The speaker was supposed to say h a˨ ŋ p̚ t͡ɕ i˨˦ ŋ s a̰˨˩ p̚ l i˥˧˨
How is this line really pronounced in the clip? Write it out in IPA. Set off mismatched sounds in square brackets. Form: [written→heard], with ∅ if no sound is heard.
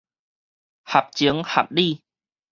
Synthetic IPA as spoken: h a˨ [ŋ→∅] p̚ t͡ɕ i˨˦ ŋ [s→h] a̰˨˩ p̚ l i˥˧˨